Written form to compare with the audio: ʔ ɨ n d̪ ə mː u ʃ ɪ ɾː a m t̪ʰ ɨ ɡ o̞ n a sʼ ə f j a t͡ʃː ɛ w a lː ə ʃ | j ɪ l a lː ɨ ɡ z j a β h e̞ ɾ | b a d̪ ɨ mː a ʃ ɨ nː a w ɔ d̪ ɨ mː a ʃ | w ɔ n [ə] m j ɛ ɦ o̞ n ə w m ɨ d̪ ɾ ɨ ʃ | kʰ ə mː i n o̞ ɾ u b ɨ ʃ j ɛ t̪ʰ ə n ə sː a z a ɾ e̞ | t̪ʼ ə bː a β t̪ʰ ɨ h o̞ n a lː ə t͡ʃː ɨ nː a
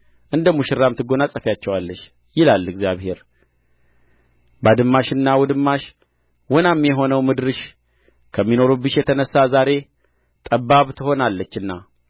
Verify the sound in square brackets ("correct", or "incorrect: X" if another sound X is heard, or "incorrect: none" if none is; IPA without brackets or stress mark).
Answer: incorrect: a